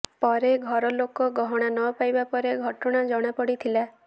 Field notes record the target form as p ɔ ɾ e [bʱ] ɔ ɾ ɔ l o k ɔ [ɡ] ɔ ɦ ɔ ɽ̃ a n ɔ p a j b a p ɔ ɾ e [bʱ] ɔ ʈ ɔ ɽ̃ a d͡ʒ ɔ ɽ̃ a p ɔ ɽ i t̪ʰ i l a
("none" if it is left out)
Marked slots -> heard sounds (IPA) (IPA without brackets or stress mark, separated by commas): ɡʱ, ɡ, ɡʱ